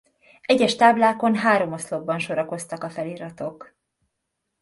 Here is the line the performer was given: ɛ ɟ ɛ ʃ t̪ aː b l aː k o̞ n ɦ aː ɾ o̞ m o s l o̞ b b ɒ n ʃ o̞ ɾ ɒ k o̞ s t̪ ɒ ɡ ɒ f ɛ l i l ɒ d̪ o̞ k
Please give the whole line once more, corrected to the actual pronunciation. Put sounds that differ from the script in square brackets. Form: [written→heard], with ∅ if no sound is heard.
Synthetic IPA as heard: ɛ ɟ ɛ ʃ t̪ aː b l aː k o̞ n ɦ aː ɾ o̞ m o s l o̞ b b ɒ n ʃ o̞ ɾ ɒ k o̞ s t̪ ɒ [ɡ→k] ɒ f ɛ l i [l→ɾ] ɒ [d̪→t̪] o̞ k